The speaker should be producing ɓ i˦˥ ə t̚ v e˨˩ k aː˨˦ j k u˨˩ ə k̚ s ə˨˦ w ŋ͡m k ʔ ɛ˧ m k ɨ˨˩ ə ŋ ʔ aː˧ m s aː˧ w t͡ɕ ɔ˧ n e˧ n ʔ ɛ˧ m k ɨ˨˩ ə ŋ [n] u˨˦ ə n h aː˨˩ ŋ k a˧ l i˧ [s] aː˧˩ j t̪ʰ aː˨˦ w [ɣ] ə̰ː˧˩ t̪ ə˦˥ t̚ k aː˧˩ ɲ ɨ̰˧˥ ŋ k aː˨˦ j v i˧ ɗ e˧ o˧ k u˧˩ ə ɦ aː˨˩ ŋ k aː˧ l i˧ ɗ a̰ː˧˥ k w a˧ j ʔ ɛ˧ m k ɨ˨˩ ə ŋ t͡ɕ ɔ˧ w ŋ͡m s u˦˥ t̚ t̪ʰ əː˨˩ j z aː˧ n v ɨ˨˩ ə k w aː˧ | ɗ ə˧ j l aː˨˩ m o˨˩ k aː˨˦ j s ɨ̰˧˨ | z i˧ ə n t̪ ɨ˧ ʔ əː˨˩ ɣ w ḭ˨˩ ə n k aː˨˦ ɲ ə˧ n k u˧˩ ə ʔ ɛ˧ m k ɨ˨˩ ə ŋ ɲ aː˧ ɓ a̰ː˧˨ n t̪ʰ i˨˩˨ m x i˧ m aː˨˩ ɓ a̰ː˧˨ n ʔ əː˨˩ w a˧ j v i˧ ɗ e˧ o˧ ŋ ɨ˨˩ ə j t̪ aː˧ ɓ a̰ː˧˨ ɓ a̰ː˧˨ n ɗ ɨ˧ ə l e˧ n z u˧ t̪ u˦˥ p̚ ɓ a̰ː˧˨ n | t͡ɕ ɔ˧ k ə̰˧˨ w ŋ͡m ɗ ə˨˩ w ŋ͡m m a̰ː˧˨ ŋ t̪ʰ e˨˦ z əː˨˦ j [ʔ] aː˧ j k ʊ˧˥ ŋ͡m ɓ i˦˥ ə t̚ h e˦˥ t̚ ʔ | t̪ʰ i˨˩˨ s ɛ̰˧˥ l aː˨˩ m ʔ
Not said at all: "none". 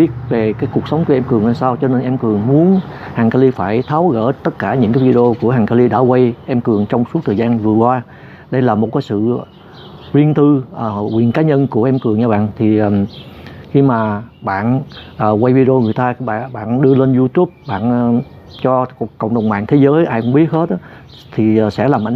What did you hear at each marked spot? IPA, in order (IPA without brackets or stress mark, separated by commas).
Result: m, f, ɣ, ʔ